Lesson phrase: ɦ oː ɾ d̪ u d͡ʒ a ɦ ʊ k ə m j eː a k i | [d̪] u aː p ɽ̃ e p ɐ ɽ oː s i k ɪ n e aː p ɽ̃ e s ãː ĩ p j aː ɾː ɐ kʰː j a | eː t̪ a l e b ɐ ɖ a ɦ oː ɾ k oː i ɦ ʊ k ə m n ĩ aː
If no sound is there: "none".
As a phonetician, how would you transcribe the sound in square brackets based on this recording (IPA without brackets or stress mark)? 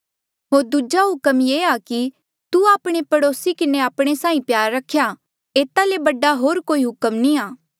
t̪